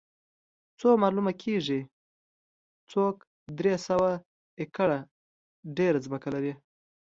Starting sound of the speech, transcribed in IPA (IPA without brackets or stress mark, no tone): t͡s